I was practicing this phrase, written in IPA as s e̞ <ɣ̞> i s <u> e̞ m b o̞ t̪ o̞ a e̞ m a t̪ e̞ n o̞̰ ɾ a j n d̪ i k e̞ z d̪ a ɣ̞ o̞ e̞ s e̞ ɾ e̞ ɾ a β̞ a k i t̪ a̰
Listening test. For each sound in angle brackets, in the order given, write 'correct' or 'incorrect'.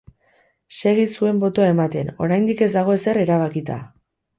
correct, correct

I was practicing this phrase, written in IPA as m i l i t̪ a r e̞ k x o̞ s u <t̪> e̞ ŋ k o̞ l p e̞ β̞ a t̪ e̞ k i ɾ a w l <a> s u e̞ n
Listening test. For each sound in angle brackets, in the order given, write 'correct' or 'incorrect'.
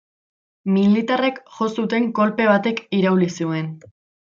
correct, incorrect: i

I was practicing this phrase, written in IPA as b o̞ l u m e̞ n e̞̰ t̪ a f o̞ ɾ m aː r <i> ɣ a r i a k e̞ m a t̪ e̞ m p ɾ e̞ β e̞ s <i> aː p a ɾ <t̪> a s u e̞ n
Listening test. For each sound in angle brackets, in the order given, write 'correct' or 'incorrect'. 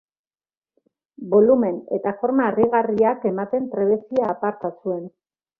correct, correct, correct

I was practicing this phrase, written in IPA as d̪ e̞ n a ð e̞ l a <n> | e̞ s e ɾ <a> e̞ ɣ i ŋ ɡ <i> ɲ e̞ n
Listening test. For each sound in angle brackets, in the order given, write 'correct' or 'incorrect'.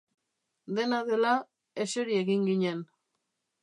incorrect: none, incorrect: i, correct

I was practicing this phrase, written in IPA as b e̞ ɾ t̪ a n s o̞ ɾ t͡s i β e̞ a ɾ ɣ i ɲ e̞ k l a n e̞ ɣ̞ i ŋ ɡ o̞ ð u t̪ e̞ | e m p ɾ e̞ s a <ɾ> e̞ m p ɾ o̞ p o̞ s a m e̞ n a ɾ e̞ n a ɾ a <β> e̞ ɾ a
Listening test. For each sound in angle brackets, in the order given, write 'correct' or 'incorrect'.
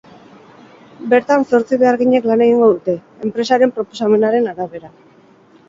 correct, correct

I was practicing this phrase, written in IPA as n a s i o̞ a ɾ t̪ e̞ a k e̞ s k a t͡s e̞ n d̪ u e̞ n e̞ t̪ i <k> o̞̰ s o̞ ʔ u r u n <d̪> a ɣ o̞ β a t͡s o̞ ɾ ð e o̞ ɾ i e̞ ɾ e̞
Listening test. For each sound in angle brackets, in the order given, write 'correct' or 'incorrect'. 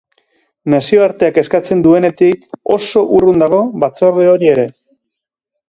correct, correct

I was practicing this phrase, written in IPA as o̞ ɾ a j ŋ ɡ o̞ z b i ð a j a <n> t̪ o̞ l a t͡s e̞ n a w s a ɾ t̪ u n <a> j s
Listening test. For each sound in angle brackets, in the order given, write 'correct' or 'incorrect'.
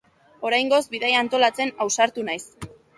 correct, correct

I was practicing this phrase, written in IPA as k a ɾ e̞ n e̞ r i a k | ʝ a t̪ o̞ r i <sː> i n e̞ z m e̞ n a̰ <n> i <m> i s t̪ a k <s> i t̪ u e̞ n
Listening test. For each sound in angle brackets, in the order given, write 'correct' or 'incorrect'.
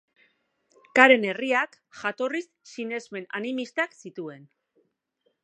correct, correct, correct, correct

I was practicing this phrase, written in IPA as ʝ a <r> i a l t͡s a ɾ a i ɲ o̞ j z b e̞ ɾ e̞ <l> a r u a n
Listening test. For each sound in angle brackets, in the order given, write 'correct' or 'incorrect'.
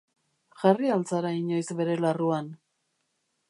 correct, correct

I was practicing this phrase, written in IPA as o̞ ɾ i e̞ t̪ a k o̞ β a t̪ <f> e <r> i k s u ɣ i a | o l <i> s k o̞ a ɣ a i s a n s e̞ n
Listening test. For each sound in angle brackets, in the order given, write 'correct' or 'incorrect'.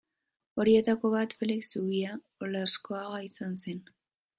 correct, incorrect: l, incorrect: a

